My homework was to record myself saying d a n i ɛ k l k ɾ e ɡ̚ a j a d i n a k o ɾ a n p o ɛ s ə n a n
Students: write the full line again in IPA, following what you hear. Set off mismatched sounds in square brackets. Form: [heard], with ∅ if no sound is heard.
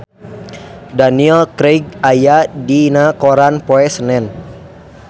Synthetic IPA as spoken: d a n i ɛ [∅] l k ɾ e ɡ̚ a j a d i n a k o ɾ a n p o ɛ s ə n [ɛ] n

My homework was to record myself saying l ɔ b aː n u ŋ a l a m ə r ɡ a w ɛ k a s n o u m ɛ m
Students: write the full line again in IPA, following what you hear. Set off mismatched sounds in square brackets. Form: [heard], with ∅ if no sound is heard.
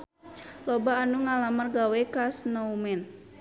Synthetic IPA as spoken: l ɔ b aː n u ŋ a l a m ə r ɡ a w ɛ k a s n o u m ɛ [n]

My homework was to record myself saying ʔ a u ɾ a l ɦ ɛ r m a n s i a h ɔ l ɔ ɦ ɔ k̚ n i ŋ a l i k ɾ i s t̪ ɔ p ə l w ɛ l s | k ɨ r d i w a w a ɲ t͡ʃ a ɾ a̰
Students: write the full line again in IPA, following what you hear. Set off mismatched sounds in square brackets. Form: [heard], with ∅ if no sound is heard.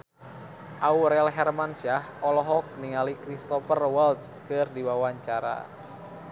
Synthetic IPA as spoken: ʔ a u ɾ [ɛ] l ɦ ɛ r m a n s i a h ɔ l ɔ ɦ ɔ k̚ n i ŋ a l i k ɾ i s t̪ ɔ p ə [r] w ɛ l s | k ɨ r d i w a w a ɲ t͡ʃ a ɾ a̰

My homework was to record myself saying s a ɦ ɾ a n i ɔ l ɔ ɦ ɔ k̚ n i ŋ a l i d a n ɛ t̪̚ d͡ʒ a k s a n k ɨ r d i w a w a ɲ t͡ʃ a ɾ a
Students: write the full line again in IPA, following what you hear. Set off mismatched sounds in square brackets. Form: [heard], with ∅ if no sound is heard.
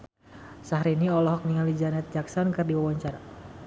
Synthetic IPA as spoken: s a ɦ ɾ [i] n i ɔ l ɔ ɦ ɔ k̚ n i ŋ a l i [d͡ʒ] a n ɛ t̪̚ d͡ʒ a k s a n k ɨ r d i w a w a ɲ t͡ʃ a ɾ a

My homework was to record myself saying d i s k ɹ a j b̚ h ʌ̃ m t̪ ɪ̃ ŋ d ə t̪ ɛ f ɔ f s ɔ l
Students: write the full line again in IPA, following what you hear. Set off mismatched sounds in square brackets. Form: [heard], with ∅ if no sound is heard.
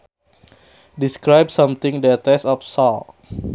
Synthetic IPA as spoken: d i s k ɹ a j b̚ [s] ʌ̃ m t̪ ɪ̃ ŋ d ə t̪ ɛ [s] ɔ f s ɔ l

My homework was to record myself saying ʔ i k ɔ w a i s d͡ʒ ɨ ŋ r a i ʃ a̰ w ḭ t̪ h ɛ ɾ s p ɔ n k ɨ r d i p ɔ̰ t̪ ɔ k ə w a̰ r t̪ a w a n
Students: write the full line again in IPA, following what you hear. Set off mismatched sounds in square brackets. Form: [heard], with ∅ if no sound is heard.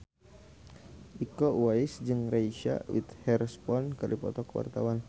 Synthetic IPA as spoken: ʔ i k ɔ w a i s d͡ʒ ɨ ŋ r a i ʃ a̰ w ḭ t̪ h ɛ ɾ s p ɔ n k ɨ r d i p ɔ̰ t̪ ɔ k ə w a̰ r t̪ a w a n

